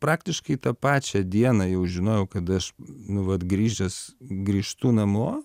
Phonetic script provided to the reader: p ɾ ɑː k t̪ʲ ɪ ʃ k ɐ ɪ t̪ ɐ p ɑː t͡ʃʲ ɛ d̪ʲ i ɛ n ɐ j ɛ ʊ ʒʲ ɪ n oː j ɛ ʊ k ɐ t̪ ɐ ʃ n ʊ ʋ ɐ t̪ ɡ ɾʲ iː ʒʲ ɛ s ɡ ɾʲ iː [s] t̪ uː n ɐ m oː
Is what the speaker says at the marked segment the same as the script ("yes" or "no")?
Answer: no